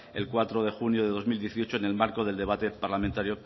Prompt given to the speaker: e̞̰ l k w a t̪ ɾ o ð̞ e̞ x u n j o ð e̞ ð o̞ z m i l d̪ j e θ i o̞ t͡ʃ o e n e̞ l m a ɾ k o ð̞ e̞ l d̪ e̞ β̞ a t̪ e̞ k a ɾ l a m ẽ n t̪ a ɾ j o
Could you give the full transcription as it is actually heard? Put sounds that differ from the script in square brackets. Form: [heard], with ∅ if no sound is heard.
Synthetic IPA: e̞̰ l k w a t̪ ɾ o ð̞ e̞ x u n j o ð e̞ ð o̞ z m i l d̪ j e θ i o̞ t͡ʃ o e n e̞ l m a ɾ k o ð̞ e̞ l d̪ e̞ β̞ a t̪ e̞ [p] a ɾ l a m ẽ n t̪ a ɾ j o